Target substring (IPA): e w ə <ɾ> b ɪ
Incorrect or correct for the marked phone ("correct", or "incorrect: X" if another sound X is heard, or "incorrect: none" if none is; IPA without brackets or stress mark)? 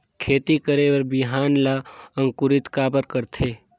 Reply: correct